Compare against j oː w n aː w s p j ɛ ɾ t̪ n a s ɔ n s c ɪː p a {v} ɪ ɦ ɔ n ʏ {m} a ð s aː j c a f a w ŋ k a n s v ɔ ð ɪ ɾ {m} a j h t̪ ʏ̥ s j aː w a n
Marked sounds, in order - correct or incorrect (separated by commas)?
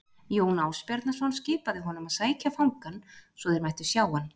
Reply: incorrect, correct, correct